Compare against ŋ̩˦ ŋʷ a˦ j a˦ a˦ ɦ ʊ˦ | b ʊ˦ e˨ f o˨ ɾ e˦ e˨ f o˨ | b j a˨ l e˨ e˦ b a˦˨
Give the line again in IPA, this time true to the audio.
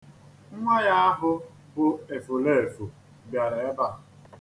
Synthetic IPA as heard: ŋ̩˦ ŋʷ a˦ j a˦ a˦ ɦ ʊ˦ | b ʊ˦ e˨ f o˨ l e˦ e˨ f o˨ | b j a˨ ɾ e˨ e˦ b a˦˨